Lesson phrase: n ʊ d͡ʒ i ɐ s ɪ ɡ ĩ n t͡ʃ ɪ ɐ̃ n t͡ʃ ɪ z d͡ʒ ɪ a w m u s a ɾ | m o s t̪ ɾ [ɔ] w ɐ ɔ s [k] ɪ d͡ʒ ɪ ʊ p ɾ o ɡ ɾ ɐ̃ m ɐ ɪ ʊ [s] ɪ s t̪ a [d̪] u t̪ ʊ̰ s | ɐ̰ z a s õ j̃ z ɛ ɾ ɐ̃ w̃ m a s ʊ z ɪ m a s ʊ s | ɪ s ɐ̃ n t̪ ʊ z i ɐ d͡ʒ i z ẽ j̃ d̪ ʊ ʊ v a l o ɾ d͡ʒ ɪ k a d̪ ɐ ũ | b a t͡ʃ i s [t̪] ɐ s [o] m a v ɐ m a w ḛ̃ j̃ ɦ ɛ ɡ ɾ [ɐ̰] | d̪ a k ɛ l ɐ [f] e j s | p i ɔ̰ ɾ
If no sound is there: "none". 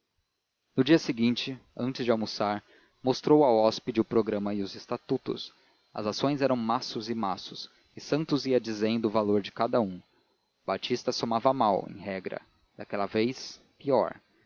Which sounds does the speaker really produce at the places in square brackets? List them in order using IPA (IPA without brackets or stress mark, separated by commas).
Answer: o, p, z, t̪, t̪, o, ɐ̰, v